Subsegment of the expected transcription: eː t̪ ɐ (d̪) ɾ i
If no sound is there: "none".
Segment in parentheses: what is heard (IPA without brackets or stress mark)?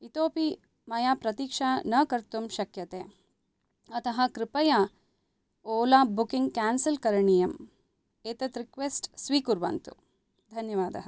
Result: t̪